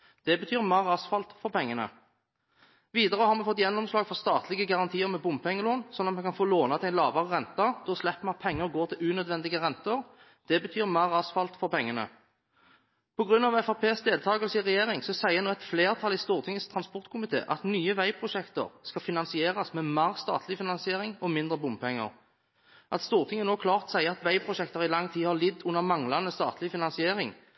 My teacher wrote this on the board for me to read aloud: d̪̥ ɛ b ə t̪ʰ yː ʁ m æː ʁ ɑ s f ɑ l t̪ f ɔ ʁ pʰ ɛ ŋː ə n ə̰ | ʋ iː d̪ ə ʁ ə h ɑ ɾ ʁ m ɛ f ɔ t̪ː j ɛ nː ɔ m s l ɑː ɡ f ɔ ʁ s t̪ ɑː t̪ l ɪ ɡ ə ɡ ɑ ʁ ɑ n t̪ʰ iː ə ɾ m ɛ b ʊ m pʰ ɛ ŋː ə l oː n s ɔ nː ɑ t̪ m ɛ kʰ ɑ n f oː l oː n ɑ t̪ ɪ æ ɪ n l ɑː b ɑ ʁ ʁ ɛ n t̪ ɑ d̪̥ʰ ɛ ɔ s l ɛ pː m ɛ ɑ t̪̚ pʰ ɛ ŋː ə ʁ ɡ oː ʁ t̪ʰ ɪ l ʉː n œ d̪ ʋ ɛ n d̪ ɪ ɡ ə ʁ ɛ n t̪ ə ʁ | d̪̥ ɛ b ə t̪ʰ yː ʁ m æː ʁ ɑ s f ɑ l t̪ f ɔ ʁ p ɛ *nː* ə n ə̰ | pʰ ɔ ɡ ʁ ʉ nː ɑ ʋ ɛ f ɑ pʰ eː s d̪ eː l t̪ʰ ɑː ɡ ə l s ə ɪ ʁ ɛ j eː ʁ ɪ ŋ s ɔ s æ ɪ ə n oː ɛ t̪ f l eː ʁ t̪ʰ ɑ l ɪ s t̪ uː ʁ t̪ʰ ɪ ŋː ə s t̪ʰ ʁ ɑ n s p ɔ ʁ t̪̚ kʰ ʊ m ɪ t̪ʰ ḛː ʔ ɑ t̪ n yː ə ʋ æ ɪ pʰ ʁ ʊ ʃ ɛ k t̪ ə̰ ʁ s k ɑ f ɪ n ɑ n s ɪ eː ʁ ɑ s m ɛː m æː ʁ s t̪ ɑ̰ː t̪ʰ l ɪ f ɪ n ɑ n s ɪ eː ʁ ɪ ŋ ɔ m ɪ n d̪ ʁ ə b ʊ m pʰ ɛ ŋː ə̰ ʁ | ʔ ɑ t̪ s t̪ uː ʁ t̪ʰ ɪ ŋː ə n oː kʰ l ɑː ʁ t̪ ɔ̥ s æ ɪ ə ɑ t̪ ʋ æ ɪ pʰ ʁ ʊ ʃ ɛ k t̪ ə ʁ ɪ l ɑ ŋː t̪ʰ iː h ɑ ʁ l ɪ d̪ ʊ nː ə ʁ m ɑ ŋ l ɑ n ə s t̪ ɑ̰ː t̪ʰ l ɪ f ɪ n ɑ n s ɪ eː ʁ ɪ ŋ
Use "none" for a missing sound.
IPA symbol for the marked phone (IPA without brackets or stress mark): ŋː